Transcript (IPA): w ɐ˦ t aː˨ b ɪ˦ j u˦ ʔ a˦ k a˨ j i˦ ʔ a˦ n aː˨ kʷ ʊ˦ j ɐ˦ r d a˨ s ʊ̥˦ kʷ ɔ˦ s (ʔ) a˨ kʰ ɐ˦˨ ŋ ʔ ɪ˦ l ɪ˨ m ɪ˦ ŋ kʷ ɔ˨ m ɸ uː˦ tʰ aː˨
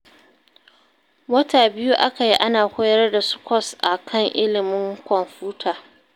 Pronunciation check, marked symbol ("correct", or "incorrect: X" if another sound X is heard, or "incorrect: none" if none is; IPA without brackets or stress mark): correct